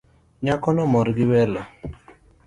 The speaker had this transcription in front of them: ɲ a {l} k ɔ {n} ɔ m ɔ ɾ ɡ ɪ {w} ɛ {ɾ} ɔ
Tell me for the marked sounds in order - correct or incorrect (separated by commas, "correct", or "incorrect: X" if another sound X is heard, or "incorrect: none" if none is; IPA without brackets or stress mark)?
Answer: incorrect: none, correct, correct, incorrect: l